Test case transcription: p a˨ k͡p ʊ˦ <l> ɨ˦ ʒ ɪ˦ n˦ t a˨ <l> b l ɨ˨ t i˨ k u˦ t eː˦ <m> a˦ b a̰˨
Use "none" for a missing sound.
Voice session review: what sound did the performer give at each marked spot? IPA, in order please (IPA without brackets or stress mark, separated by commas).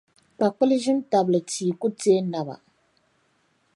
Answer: l, none, n